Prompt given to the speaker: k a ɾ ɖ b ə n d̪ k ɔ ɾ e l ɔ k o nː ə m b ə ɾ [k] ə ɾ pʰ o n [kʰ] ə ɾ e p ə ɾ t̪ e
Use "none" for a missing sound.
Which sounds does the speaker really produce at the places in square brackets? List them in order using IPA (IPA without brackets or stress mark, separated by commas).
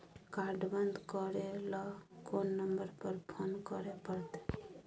p, k